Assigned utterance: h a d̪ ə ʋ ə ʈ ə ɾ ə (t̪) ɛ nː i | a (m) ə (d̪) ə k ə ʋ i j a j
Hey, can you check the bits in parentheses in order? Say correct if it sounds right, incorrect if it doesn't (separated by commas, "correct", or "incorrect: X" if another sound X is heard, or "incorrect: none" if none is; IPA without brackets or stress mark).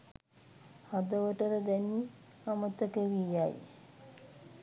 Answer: incorrect: d̪, correct, incorrect: t̪